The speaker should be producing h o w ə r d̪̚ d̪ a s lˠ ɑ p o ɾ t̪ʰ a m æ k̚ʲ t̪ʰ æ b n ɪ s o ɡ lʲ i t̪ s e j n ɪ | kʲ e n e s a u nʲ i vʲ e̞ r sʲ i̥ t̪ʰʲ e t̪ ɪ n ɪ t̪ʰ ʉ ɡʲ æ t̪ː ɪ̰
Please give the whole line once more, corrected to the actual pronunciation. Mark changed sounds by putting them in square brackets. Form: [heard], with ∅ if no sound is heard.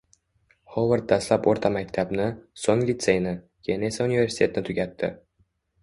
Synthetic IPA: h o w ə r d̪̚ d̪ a s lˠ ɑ p o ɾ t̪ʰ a m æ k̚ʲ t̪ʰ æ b n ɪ s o [ŋ] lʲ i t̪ s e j n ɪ | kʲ e n e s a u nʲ i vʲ e̞ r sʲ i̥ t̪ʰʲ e t̪ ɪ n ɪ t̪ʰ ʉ ɡʲ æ t̪ː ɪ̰